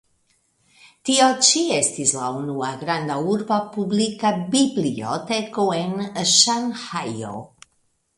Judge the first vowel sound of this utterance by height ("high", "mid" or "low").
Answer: high